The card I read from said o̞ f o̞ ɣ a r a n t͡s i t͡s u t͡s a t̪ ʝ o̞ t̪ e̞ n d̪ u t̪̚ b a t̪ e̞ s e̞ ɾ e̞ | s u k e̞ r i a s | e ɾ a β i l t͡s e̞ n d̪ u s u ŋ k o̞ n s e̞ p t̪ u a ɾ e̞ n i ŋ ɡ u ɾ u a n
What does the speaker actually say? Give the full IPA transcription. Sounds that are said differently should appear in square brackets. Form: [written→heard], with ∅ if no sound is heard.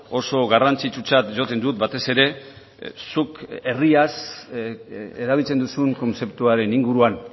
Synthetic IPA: o̞ [f→s] o̞ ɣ a r a n t͡s i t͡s u t͡s a t̪ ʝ o̞ t̪ e̞ n d̪ u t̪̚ b a t̪ e̞ s e̞ ɾ e̞ | s u k e̞ r i a s | e ɾ a β i l t͡s e̞ n d̪ u s u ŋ k o̞ n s e̞ p t̪ u a ɾ e̞ n i ŋ ɡ u ɾ u a n

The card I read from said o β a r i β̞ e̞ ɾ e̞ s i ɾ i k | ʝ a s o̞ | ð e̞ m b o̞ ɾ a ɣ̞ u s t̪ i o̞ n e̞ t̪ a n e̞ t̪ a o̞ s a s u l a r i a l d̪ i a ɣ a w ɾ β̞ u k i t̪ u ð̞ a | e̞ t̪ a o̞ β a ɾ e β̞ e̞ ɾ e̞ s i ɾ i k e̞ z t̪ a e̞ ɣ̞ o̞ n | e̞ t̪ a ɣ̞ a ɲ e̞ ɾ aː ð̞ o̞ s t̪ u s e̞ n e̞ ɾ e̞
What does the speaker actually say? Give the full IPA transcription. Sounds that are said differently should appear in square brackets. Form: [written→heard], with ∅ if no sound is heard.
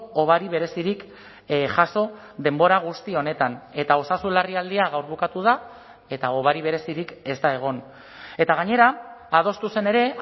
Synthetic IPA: o β a [r→ɾ] i β̞ e̞ ɾ e̞ s i ɾ i k | ʝ a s o̞ | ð e̞ m b o̞ ɾ a ɣ̞ u s t̪ i o̞ n e̞ t̪ a n e̞ t̪ a o̞ s a s u l a r i a l d̪ i a ɣ a w ɾ β̞ u k [i→a] t̪ u ð̞ a | e̞ t̪ a o̞ β a ɾ [e→i] β̞ e̞ ɾ e̞ s i ɾ i k e̞ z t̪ a e̞ ɣ̞ o̞ n | e̞ t̪ a ɣ̞ a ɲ e̞ ɾ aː ð̞ o̞ s t̪ u s e̞ n e̞ ɾ e̞

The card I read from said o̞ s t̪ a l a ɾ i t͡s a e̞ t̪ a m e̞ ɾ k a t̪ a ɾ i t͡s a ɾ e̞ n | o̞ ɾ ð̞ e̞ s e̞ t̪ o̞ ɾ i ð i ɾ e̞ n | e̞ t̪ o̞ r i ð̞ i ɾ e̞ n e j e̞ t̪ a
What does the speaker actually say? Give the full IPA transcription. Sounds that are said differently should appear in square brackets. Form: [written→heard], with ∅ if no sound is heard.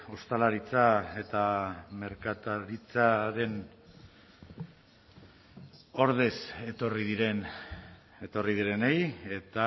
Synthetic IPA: o̞ s t̪ a l a ɾ i t͡s a e̞ t̪ a m e̞ ɾ k a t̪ a ɾ i t͡s a ɾ e̞ n | o̞ ɾ ð̞ e̞ s e̞ t̪ o̞ [ɾ→r] i ð i ɾ e̞ n | e̞ t̪ o̞ r i ð̞ i ɾ e̞ n e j e̞ t̪ a

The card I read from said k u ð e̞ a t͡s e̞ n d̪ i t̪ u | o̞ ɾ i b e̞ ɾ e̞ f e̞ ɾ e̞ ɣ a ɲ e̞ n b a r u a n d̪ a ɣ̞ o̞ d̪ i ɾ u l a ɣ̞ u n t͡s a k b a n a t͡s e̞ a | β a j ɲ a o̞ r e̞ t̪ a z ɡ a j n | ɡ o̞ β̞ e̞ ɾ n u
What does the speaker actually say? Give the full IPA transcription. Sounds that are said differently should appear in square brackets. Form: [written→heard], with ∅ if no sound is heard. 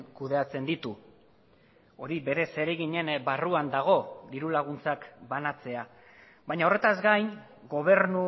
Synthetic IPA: k u ð e̞ a t͡s e̞ n d̪ i t̪ u | o̞ ɾ i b e̞ ɾ e̞ [f→s] e̞ ɾ e̞ ɣ [a→i] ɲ e̞ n b a r u a n d̪ a ɣ̞ o̞ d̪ i ɾ u l a ɣ̞ u n t͡s a k b a n a t͡s e̞ a | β a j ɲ a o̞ r e̞ t̪ a z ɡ a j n | ɡ o̞ β̞ e̞ ɾ n u

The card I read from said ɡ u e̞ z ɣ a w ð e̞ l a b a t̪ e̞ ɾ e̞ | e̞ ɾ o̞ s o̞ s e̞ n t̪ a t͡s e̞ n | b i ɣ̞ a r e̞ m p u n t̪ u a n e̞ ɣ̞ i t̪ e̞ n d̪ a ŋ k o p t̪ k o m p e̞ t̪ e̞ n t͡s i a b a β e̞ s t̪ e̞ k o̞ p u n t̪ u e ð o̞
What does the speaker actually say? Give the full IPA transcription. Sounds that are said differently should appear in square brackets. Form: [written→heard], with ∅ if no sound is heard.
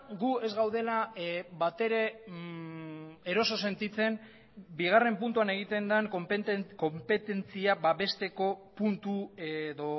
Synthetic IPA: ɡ u e̞ z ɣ a w ð e̞ l a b a t̪ e̞ ɾ e̞ | e̞ ɾ o̞ s o̞ s e̞ n t̪ [a→i] t͡s e̞ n | b i ɣ̞ a r e̞ m p u n t̪ u a n e̞ ɣ̞ i t̪ e̞ n d̪ a ŋ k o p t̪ k o m p e̞ t̪ e̞ n t͡s i a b a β e̞ s t̪ e̞ k o̞ p u n t̪ u e ð o̞

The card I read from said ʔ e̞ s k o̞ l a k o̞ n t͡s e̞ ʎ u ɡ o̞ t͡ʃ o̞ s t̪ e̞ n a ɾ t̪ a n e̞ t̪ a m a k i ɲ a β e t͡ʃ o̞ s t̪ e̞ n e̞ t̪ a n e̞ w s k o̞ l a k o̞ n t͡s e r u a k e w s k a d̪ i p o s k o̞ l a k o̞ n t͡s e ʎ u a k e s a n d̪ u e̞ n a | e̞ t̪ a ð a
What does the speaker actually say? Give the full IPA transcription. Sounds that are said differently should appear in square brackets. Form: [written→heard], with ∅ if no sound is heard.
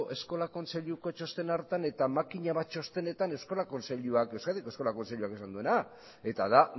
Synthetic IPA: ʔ e̞ s k o̞ l a k o̞ n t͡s e̞ ʎ u [ɡ→k] o̞ t͡ʃ o̞ s t̪ e̞ n a ɾ t̪ a n e̞ t̪ a m a k i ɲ a β [e→a] t͡ʃ o̞ s t̪ e̞ n e̞ t̪ a n e̞ w s k o̞ l a k o̞ n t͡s e [r→ʎ] u a k e w s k a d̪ i [p→k] o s k o̞ l a k o̞ n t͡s e ʎ u a k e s a n d̪ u e̞ n a | e̞ t̪ a ð a

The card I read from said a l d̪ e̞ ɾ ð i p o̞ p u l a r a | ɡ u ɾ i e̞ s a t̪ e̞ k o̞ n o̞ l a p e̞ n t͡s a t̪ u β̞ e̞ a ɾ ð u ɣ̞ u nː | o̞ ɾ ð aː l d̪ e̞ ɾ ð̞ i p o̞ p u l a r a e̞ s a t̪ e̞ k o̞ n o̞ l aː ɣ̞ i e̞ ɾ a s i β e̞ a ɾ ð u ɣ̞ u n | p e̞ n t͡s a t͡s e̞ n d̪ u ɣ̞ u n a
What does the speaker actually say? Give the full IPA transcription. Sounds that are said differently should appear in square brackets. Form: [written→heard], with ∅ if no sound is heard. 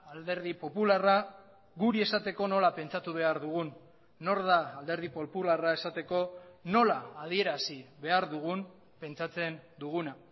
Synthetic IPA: a l d̪ e̞ ɾ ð i p o̞ p u l a r a | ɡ u ɾ i e̞ s a t̪ e̞ k o̞ n o̞ l a p e̞ n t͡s a t̪ u β̞ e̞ a ɾ ð u ɣ̞ u nː | o̞ ɾ ð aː l d̪ e̞ ɾ ð̞ i p o̞ p u l a r a e̞ s a t̪ e̞ k o̞ n o̞ l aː [ɣ̞→ð̞] i e̞ ɾ a s i β e̞ a ɾ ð u ɣ̞ u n | p e̞ n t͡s a t͡s e̞ n d̪ u ɣ̞ u n a

